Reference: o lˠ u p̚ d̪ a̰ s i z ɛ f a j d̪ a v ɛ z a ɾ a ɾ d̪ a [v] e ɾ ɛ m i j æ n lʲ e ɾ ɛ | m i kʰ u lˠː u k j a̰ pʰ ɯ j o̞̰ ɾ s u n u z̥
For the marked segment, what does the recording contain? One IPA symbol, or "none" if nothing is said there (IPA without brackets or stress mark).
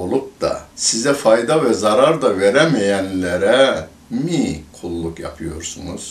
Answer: v